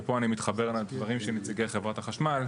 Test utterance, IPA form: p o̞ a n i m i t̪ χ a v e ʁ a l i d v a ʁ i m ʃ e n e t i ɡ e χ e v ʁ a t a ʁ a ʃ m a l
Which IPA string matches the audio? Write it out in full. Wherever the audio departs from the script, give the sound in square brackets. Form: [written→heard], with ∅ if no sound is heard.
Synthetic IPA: p o̞ a n i m i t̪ χ a [v→b] e ʁ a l [i→a] d v a ʁ i m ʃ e n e [t→t͡s] i ɡ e χ e v ʁ a t a [ʁ→χ] a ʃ m a l